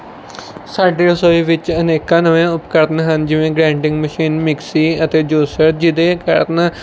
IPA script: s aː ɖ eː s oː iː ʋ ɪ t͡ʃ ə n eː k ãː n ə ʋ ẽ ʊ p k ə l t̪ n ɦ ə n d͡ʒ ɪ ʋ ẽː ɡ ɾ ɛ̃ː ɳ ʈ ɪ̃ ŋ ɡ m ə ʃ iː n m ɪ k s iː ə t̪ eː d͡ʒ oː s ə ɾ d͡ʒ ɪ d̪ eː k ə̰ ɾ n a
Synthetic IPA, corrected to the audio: s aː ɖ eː s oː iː ʋ ɪ t͡ʃ ə n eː k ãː n ə ʋ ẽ ʊ p k ə ɾ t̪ n ɦ ə n d͡ʒ ɪ ʋ ẽː ɡ ɾ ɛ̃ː ɳ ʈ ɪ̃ ŋ ɡ m ə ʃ iː n m ɪ k s iː ə t̪ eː d͡ʒ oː s ə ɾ d͡ʒ ɪ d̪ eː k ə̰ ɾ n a